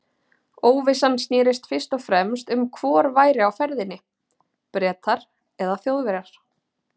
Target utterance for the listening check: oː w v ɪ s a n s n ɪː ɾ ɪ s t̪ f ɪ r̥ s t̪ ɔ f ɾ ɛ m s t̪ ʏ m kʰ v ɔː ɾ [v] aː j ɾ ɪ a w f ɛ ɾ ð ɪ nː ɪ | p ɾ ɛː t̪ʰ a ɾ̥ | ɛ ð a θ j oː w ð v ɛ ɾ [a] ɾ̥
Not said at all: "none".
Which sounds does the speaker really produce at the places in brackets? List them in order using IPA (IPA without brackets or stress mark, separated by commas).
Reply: v, a